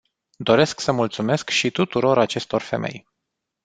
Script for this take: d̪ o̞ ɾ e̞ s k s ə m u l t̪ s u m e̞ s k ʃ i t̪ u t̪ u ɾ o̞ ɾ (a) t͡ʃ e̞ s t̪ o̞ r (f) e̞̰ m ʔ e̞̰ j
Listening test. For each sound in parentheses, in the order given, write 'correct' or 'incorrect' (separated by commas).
correct, correct